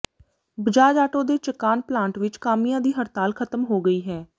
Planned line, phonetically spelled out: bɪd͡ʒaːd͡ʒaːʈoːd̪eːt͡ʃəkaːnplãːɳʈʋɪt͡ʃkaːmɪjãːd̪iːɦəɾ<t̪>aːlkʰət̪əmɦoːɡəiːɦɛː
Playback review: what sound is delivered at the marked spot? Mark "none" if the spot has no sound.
t̪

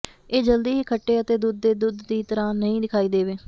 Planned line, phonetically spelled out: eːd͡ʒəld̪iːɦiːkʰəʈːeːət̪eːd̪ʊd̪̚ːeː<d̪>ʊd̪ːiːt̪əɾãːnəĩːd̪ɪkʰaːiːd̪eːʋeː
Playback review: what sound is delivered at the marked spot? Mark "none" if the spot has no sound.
d̪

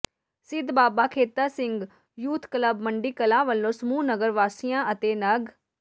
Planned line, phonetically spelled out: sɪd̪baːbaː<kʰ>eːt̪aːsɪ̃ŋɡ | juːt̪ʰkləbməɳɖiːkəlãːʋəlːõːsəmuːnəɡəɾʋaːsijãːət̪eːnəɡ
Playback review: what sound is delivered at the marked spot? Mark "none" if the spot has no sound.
kʰ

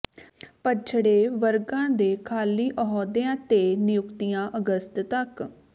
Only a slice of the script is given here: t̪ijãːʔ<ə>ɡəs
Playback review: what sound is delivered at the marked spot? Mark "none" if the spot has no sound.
ə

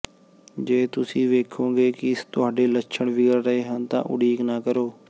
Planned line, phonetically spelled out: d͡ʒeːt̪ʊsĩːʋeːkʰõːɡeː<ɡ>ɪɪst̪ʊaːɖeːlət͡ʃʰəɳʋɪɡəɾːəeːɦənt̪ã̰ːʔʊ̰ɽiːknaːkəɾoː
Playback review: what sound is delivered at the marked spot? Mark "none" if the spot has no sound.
k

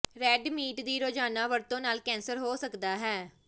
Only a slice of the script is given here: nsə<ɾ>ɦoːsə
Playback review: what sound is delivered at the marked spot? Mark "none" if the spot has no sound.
ɾ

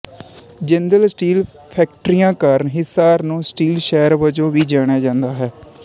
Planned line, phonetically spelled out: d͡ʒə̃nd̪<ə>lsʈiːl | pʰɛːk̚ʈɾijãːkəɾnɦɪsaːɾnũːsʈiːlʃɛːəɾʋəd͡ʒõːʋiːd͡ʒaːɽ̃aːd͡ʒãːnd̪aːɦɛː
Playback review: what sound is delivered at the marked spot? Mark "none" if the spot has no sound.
ə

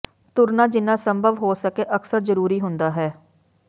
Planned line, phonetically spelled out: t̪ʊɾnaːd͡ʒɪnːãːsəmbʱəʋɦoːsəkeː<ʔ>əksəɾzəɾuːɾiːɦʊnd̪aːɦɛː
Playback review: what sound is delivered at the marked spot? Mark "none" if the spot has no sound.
ʔ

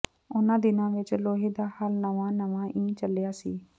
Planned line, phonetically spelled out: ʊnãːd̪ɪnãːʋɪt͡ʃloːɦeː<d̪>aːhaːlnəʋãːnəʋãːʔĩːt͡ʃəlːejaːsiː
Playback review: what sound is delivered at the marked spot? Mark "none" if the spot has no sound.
d̪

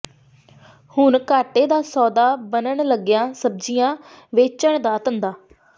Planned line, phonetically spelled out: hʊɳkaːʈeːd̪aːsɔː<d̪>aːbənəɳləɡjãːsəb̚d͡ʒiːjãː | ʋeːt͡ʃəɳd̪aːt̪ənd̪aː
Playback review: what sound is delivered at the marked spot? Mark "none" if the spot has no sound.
d̪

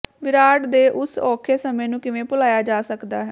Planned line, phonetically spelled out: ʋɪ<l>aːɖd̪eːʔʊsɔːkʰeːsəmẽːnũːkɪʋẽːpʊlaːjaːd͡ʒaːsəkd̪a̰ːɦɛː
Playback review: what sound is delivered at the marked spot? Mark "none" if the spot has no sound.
ɾ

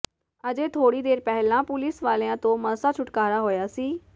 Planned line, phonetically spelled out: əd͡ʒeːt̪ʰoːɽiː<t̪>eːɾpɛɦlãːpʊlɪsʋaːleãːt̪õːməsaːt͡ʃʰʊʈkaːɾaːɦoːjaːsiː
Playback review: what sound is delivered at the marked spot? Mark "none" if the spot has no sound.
d̪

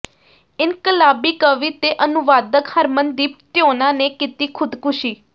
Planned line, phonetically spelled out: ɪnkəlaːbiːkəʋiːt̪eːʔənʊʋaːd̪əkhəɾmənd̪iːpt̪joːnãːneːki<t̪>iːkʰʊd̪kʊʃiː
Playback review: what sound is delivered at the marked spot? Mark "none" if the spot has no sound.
t̪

